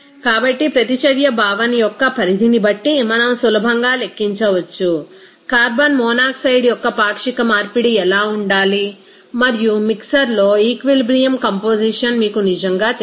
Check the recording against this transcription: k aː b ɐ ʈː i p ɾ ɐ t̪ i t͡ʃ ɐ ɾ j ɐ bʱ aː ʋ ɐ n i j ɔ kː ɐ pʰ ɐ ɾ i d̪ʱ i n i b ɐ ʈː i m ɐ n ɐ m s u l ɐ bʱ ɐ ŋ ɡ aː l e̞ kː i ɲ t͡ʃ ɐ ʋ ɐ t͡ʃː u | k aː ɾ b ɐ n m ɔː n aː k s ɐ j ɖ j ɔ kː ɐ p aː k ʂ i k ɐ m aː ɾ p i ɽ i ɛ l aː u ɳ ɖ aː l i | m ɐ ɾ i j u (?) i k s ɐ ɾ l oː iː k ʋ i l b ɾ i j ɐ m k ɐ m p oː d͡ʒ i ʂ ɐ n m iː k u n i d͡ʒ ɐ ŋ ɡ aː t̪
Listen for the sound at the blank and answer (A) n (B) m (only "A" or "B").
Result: B